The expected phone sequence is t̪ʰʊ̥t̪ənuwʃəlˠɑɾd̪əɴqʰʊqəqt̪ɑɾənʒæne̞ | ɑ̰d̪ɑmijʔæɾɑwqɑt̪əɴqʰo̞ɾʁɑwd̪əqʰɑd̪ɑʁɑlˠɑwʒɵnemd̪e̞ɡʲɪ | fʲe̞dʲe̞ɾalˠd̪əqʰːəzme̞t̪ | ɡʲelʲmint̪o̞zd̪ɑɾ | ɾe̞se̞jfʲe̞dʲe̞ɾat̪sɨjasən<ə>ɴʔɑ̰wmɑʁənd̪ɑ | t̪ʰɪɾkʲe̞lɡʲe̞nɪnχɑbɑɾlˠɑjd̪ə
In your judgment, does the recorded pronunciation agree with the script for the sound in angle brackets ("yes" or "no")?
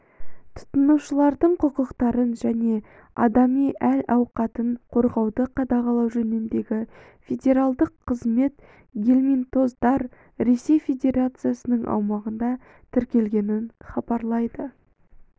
yes